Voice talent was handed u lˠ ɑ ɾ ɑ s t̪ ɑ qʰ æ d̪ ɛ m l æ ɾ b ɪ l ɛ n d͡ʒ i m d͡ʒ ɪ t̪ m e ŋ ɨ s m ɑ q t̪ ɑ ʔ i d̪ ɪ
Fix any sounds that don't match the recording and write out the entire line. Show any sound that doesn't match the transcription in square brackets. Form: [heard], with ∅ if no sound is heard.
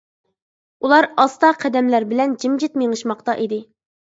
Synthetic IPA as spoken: u lˠ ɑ ɾ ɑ s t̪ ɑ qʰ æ d̪ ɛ m l æ ɾ b ɪ l ɛ n d͡ʒ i m d͡ʒ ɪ t̪ m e ŋ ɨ [ʃ] m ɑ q t̪ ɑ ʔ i d̪ ɪ